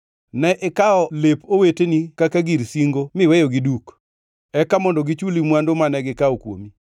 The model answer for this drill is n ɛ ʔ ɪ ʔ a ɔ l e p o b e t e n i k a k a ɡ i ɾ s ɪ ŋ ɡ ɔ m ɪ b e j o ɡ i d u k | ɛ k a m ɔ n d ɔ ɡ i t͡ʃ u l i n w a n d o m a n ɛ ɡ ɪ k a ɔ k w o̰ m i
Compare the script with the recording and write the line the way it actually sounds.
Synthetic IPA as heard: n ɛ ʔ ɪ k a ɔ l e p o w e t e n i k a k a ɡ i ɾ s i ŋ ɡ o m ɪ w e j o ɡ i d u k | ɛ k a m ɔ n d ɔ ɡ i t͡ʃ u l i m w a n d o m a n ɛ ɡ ɪ k a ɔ k w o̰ m i